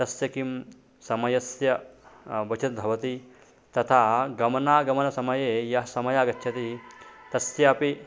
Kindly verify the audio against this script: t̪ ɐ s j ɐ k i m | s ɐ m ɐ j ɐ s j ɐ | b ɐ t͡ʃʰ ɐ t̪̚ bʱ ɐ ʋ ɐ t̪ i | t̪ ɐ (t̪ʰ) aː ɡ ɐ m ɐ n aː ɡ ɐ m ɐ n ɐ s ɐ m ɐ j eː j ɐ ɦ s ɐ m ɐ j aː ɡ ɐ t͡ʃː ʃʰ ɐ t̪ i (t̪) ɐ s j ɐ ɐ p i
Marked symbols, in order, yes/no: yes, yes

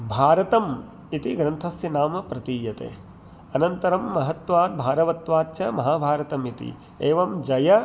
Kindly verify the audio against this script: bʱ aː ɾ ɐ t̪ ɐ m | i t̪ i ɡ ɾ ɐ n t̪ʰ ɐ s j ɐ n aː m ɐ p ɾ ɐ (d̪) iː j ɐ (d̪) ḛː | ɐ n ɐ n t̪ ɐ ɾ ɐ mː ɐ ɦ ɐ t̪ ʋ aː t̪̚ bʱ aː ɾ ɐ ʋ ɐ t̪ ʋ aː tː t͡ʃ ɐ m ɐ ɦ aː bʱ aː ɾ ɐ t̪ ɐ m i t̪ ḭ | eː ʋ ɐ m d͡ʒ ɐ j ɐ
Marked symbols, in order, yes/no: no, no

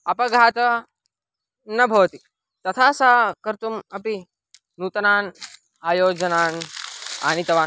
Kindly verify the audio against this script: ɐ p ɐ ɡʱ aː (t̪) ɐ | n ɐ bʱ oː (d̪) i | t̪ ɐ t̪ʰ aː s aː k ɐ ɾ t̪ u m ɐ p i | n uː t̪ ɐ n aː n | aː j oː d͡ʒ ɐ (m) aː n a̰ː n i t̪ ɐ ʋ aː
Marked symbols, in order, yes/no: yes, no, no

